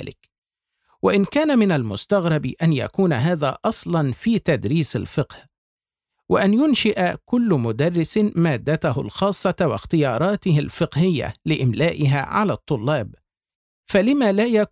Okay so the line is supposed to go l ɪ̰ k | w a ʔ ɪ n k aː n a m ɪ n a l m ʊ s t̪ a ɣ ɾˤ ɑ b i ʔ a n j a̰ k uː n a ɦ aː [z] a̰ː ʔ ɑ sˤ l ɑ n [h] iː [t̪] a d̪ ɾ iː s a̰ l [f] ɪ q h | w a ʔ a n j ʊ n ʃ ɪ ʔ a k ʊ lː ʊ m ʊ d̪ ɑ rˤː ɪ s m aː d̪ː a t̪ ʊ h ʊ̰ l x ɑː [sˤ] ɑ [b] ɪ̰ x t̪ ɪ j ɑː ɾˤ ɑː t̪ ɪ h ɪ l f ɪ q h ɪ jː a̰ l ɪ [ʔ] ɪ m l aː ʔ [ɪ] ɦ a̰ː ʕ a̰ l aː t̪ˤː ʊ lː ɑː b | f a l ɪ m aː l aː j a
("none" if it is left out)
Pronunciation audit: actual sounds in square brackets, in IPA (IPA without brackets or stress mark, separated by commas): ð, f, t̪, f, sˤː, w, ʔ, ɪ